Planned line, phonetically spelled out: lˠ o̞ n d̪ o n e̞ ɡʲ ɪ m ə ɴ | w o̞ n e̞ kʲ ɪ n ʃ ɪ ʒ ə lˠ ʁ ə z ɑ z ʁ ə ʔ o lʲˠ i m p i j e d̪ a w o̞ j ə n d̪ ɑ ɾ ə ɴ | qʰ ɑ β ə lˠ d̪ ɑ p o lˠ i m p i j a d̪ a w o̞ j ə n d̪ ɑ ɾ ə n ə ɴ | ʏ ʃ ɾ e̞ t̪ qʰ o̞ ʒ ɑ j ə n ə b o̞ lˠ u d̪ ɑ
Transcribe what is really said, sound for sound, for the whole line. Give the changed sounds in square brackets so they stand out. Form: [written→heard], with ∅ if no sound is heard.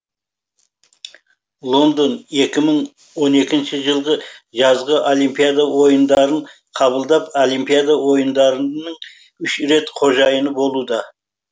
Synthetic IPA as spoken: lˠ o̞ n d̪ o n e̞ [ɡʲ→kʲ] ɪ m ə ɴ | w o̞ n e̞ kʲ ɪ n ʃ ɪ ʒ ə lˠ ʁ ə [z→ʒ] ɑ z ʁ ə ʔ o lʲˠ i m p i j [e→a] d̪ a w o̞ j ə n d̪ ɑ ɾ ə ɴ | qʰ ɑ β ə lˠ d̪ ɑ p o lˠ i m p i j a d̪ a w o̞ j ə n d̪ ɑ ɾ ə n ə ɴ | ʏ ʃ ɾ e̞ t̪ qʰ o̞ ʒ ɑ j ə n ə b o̞ lˠ u d̪ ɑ